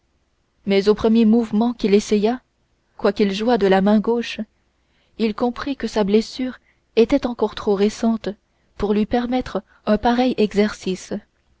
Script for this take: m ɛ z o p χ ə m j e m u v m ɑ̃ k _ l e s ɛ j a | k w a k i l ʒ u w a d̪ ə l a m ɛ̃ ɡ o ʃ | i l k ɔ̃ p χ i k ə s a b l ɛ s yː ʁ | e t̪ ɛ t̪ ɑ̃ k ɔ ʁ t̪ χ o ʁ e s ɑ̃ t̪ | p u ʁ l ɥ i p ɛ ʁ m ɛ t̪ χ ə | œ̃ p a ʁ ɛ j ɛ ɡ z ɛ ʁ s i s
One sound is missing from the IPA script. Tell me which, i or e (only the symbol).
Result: i